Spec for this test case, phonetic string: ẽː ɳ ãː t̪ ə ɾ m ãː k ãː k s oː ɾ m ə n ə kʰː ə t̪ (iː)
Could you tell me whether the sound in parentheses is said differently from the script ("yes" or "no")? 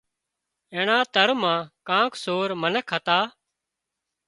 yes